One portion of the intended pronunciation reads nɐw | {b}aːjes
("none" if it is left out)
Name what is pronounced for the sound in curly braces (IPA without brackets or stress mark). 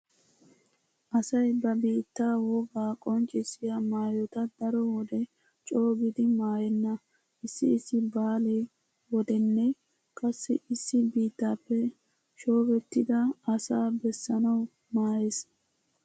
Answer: m